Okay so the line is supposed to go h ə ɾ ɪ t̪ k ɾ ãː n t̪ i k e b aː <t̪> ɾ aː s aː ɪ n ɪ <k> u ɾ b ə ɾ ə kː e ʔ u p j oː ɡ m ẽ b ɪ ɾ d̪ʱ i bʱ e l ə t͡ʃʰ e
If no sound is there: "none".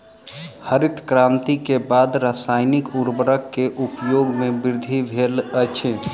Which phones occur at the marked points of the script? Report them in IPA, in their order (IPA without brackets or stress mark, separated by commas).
d̪, k